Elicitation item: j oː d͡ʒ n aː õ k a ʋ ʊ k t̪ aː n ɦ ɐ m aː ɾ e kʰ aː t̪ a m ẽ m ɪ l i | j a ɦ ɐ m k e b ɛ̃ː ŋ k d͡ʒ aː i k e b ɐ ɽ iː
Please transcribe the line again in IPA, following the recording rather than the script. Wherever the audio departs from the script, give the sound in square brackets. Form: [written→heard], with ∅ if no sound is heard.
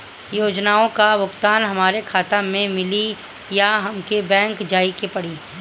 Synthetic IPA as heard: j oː d͡ʒ n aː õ k a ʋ ʊ k t̪ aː n ɦ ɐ m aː ɾ e kʰ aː t̪ a m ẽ m ɪ l i | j a ɦ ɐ m k e b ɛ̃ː ŋ k d͡ʒ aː i k e [b→p] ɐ ɽ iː